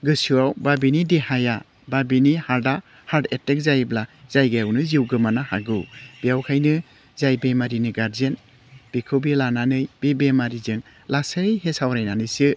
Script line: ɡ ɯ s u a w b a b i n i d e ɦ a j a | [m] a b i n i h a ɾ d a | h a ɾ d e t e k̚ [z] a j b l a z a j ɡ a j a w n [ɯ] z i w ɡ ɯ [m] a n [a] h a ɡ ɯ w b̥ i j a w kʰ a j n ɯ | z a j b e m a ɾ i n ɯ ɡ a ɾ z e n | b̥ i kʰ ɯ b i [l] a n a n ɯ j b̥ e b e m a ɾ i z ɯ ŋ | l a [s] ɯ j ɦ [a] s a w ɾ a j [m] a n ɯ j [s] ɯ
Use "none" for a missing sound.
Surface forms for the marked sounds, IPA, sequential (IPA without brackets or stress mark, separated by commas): b, z, ɯ, m, a, l, s, e, n, s